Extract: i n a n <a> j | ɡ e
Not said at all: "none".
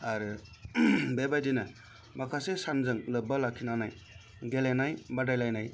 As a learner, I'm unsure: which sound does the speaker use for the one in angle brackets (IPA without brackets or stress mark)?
a